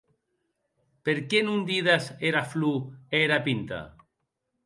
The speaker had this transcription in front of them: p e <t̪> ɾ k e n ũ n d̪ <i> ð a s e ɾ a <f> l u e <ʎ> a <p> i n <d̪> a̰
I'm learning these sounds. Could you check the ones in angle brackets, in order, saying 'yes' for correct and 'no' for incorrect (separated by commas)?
no, yes, yes, no, yes, no